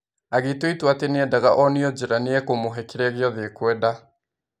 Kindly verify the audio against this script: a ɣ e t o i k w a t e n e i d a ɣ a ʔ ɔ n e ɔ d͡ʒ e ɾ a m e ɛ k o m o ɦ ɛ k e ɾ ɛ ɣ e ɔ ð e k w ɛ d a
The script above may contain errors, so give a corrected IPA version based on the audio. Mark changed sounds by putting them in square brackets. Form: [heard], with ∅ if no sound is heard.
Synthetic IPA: a ɣ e t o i [t] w a t e n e [ɛ] d a ɣ a ʔ ɔ n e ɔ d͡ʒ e ɾ a [n] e ɛ k o m o ɦ ɛ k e ɾ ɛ ɣ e ɔ ð e k w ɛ d a

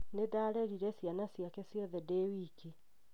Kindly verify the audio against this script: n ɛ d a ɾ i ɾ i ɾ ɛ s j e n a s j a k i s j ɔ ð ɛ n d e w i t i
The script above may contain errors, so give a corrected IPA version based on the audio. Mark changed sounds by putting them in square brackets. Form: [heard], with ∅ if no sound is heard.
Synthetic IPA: n [e] d a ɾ [ɛ] ɾ i ɾ ɛ s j [a] n a s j a k [ɛ] s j ɔ ð ɛ [∅] d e w i [k] i

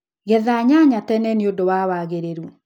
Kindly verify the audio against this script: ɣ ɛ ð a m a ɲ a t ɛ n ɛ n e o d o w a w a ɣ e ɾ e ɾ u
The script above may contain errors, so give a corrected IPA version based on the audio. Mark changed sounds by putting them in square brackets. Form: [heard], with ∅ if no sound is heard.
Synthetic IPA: ɣ ɛ ð a [ɲ] a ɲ a t ɛ n ɛ n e o d o w a w a ɣ e ɾ e ɾ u

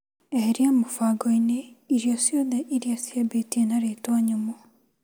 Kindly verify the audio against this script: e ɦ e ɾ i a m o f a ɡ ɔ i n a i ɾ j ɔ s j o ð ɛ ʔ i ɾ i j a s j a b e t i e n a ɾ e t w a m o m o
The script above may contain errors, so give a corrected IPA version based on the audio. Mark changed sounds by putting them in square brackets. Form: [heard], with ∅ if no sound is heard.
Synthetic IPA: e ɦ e ɾ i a m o f a ɡ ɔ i n [e] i ɾ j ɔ s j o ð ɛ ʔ i ɾ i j a s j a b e t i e n a ɾ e t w a [ɲ] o m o

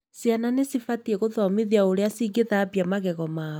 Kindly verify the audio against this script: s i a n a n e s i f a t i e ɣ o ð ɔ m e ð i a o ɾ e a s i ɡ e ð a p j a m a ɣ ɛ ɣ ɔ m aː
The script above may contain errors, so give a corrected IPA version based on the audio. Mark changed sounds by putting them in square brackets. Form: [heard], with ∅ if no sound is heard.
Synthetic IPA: s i a n a n e s i f a t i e ɣ o ð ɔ m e ð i a o ɾ e a s i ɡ e ð a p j a m a ɣ ɛ ɣ ɔ m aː

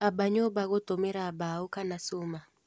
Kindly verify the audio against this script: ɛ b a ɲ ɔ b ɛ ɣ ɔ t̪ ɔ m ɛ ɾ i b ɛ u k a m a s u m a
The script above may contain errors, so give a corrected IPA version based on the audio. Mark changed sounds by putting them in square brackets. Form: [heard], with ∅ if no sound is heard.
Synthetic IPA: [a] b a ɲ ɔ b [a] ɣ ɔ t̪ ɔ m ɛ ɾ [a] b [a] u k a [n] a s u m a

